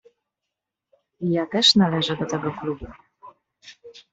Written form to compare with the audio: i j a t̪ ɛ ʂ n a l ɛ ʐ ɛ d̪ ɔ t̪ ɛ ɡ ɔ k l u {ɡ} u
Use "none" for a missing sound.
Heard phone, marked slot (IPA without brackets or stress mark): b